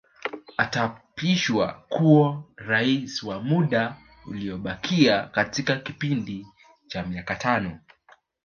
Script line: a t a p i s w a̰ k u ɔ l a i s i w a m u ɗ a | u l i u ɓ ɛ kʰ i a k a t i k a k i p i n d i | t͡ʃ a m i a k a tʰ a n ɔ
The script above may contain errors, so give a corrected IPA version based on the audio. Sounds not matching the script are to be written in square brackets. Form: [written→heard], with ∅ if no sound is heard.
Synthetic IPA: a t a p i [s→ʃ] w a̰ k u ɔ [l→ɾ] a i s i w a m u ɗ a | u l i [u→ɔ] ɓ [ɛ→a] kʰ i a k a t i k a k i p i n d i | t͡ʃ a m i a k a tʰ a n ɔ

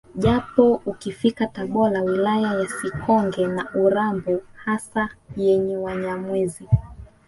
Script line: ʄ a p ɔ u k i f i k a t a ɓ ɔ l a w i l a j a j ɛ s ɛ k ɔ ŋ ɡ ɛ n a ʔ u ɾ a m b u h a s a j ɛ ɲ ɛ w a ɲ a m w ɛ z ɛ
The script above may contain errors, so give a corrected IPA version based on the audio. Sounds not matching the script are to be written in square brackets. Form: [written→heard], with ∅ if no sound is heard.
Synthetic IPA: ʄ a p ɔ u k i f i k a t a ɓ ɔ l a w i l a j a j [ɛ→a] s [ɛ→i] k ɔ ŋ ɡ ɛ n a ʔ u ɾ a m b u h a s a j ɛ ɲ ɛ w a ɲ a m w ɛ z [ɛ→i]

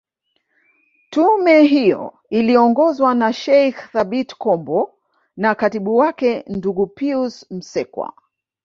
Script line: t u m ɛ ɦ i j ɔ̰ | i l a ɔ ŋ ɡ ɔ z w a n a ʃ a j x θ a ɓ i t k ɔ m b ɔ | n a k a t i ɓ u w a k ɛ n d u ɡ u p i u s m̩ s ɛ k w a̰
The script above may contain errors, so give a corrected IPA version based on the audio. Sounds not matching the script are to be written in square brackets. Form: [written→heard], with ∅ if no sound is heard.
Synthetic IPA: t u m ɛ ɦ i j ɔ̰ | i l [a→i] ɔ ŋ ɡ ɔ z w a n a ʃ [a→ɛ] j x θ a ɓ i t k ɔ m b ɔ | n a k a t i ɓ u w a k ɛ n d u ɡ u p i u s m̩ s ɛ k w a̰

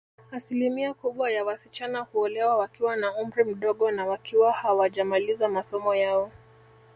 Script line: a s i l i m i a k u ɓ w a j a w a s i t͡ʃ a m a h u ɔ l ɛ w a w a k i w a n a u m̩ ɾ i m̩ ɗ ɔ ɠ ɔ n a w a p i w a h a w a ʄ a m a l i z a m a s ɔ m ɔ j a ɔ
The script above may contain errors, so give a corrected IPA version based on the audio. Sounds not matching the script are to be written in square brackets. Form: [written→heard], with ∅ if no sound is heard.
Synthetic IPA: a s i l i m i a k u ɓ w a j a w a s i t͡ʃ a [m→n] a h u ɔ l ɛ w a w a k i w a n a u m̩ ɾ i m̩ ɗ ɔ ɠ ɔ n a w a [p→k] i w a h a w a ʄ a m a l i z a m a s ɔ m ɔ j a ɔ

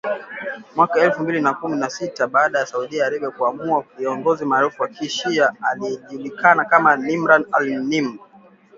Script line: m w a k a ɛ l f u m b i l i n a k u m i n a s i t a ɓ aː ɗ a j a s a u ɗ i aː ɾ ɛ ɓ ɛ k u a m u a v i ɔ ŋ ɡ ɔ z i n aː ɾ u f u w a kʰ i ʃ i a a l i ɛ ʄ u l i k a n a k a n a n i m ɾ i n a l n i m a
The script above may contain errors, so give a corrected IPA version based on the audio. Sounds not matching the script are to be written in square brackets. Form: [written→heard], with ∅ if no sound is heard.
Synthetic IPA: m w a k a ɛ l f u m b i l i n a k u m i n a s i t a ɓ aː ɗ a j a s a u ɗ i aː ɾ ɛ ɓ ɛ k u a m u a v i ɔ ŋ ɡ ɔ z i [n→m] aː ɾ u f u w a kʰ i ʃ i a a l i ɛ ʄ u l i k a n a k a [n→m] a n i m ɾ [i→a] n a l n i m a

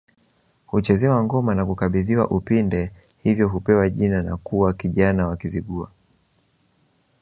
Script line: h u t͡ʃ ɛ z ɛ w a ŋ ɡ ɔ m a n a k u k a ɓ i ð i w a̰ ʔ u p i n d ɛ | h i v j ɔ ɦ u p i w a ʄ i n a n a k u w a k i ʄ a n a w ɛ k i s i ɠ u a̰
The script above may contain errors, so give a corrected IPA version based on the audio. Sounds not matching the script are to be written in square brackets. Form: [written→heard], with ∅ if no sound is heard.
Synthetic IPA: h u t͡ʃ ɛ z ɛ w a ŋ ɡ ɔ m a n a k u k a ɓ i ð i w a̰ ʔ u p i n d ɛ | h i v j ɔ ɦ u p [i→ɛ] w a ʄ i n a n a k u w a k i ʄ a n a w [ɛ→a] k i [s→z] i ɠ u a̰

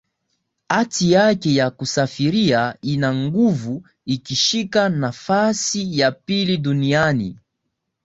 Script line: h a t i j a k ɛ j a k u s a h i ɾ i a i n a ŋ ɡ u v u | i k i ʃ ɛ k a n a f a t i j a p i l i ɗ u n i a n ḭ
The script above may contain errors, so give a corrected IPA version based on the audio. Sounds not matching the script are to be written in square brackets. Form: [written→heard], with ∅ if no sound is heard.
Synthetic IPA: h a t i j a k ɛ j a k u s a [h→f] i ɾ i a i n a ŋ ɡ u v u | i k i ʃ [ɛ→i] k a n a f a [t→s] i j a p i l i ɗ u n i a n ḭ

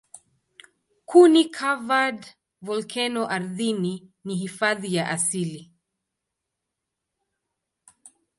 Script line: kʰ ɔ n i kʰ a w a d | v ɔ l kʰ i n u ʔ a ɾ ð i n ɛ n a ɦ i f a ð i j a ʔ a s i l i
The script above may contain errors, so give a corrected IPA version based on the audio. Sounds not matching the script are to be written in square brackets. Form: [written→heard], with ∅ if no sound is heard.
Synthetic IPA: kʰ [ɔ→u] n i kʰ a [w→v] a d | v ɔ l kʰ [i→ɛ] n [u→ɔ] ʔ a ɾ ð i n [ɛ→i] n [a→i] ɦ i f a ð i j a ʔ a s i l i

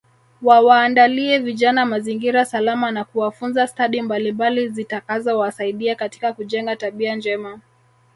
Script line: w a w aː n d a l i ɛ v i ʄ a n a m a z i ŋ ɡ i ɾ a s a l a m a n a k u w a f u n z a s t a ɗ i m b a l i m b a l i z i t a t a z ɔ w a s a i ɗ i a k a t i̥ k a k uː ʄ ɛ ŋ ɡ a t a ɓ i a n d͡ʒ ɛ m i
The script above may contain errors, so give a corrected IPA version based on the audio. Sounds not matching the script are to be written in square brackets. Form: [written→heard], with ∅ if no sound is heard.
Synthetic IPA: w a w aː n d a l i ɛ v i ʄ a n a m a z i ŋ ɡ i ɾ a s a l a m a n a k u w a f u n z a s t a ɗ i m b a l i m b a l i z i t a [t→k] a z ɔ w a s a i ɗ i a k a t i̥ k a k [uː→u] ʄ ɛ ŋ ɡ a t a ɓ i a n d͡ʒ ɛ m [i→a]

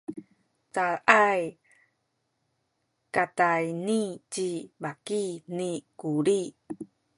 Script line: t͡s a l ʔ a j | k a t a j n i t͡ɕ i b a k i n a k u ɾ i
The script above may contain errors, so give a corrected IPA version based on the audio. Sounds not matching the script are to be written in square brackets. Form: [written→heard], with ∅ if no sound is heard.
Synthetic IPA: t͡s a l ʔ a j | k a t a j n i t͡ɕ i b a k i n [a→i] k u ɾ i

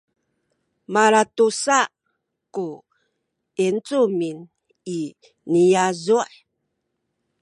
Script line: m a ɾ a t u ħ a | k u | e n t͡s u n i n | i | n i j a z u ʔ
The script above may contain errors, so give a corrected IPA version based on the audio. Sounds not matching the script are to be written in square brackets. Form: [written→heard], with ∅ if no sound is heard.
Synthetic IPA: m a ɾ a t u [ħ→s] a | k u | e n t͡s u [n→m] i n | i | n i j a z u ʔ

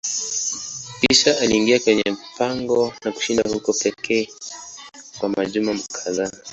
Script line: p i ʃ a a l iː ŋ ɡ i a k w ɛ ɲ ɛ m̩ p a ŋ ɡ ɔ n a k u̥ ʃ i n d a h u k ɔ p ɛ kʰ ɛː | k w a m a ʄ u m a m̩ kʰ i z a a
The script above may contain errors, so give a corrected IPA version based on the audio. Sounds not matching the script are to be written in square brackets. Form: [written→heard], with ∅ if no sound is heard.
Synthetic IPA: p i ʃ a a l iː ŋ ɡ i a k w ɛ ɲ ɛ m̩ p a ŋ ɡ ɔ n a k u̥ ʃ i n d a h u k ɔ p ɛ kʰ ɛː | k w a m a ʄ u m a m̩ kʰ [i→a] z a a

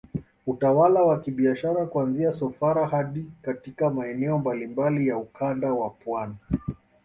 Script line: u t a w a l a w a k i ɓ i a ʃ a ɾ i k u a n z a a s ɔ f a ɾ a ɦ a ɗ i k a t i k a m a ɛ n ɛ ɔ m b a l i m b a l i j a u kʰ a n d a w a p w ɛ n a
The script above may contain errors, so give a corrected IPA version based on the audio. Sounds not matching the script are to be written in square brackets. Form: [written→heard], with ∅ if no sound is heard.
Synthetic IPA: u t a w a l a w a k i ɓ i a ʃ a ɾ [i→a] k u a n z [a→i] a s ɔ f a ɾ a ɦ a ɗ i k a t i k a m a ɛ n ɛ ɔ m b a l i m b a l i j a u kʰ a n d a w a p w [ɛ→a] n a

